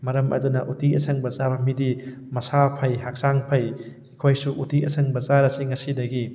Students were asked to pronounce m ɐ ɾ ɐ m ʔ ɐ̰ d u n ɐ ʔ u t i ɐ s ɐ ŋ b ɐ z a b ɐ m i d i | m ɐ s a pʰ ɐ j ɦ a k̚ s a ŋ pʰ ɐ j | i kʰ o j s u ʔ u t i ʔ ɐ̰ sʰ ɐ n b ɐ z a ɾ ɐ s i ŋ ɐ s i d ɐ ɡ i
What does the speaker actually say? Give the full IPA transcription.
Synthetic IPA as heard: m ɐ ɾ ɐ m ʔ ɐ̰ d u n ɐ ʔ u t i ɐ s ɐ ŋ b ɐ z a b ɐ m i d i | m ɐ s a pʰ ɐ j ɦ a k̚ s a ŋ pʰ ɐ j | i kʰ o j s u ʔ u t i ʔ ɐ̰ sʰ ɐ ŋ b ɐ z a ɾ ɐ s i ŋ ɐ s i d ɐ ɡ i